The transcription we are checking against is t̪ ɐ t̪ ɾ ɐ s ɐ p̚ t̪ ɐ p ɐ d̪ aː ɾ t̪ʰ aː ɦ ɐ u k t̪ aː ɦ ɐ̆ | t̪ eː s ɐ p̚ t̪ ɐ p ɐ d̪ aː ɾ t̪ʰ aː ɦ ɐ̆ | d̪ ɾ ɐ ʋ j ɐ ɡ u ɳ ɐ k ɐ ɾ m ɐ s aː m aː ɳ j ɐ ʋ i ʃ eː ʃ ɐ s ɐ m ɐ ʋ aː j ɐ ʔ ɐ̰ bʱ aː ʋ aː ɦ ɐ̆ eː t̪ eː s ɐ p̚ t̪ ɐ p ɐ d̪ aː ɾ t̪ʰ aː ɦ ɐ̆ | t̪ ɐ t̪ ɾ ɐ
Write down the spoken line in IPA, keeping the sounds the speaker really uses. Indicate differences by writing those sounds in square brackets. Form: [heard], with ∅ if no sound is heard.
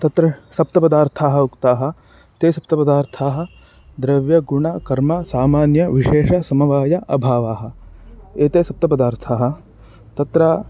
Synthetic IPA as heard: t̪ ɐ t̪ ɾ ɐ s ɐ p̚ t̪ ɐ p ɐ d̪ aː ɾ t̪ʰ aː ɦ ɐ u k t̪ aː ɦ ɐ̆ | t̪ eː s ɐ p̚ t̪ ɐ p ɐ d̪ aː ɾ t̪ʰ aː ɦ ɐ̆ | d̪ ɾ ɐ ʋ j ɐ ɡ u ɳ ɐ k ɐ ɾ m ɐ s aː m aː [n] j ɐ ʋ i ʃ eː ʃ ɐ s ɐ m ɐ ʋ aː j ɐ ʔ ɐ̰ bʱ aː ʋ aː ɦ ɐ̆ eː t̪ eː s ɐ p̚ t̪ ɐ p ɐ d̪ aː ɾ t̪ʰ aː ɦ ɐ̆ | t̪ ɐ t̪ ɾ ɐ